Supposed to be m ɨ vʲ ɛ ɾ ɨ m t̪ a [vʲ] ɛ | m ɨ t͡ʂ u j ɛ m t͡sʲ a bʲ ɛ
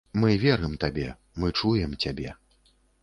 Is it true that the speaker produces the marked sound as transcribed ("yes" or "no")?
no